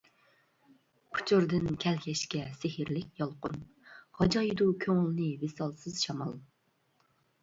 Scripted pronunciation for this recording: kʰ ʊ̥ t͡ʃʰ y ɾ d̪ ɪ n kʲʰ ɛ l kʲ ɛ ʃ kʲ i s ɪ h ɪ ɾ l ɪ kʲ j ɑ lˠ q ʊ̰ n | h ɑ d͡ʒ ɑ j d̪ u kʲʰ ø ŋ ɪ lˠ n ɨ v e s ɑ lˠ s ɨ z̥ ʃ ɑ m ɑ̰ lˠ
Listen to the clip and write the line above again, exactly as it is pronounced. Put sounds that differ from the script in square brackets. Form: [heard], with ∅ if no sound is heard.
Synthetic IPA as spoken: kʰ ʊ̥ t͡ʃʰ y ɾ d̪ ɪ n kʲʰ ɛ l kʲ ɛ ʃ kʲ [ɛ] s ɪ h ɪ ɾ l ɪ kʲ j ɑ lˠ q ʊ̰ n | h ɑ d͡ʒ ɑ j d̪ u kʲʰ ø ŋ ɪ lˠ n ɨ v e s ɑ lˠ s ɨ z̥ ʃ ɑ m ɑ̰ lˠ